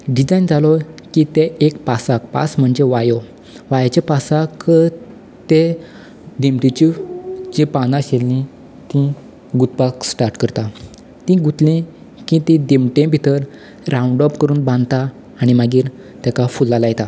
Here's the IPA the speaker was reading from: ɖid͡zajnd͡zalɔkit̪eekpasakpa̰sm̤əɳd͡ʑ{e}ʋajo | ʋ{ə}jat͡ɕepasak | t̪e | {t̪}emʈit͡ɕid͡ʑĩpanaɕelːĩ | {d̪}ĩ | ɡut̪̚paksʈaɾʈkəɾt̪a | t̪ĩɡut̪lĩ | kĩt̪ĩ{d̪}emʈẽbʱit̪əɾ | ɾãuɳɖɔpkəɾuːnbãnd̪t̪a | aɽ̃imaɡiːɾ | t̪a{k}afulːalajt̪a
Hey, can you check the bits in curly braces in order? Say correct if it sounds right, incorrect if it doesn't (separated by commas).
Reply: correct, incorrect, incorrect, incorrect, correct, correct